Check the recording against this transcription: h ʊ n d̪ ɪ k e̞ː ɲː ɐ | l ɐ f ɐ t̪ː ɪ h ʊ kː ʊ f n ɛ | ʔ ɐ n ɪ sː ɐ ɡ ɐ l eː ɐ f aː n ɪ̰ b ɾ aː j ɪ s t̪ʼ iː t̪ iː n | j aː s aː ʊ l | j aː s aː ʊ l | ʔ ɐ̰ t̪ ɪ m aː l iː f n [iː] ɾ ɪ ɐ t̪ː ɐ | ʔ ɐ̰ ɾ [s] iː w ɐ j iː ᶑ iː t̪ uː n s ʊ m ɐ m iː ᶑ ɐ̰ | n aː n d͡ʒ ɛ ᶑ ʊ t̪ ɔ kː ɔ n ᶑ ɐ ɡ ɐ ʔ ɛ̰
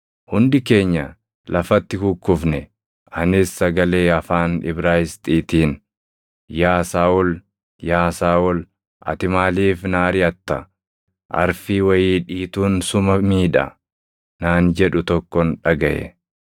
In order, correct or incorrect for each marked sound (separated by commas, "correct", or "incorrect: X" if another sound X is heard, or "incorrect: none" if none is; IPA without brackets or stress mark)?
incorrect: aː, incorrect: f